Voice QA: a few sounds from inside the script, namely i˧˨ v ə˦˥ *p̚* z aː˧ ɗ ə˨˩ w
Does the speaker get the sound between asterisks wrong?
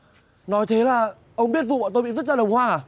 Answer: yes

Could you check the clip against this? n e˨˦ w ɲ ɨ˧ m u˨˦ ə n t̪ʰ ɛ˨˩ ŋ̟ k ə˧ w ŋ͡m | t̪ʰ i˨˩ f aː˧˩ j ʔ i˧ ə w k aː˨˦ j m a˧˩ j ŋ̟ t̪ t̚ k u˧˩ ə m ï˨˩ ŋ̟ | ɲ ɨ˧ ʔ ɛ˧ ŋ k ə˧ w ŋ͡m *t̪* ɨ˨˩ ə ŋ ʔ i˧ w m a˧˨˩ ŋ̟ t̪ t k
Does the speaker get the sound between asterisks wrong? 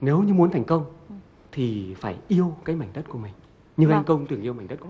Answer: no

